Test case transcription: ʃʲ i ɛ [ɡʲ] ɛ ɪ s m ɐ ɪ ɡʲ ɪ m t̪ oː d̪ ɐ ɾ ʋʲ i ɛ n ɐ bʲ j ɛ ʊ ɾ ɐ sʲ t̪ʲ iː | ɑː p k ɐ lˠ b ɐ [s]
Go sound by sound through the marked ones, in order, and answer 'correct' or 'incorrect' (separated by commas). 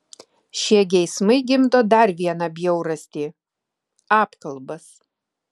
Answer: correct, correct